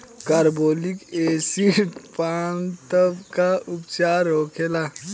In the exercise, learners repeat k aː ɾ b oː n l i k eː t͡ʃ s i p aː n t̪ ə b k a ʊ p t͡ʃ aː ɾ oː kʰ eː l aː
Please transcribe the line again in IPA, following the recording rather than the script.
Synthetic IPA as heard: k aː ɾ b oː l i k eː s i p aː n t̪ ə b k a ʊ p t͡ʃ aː ɾ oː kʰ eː l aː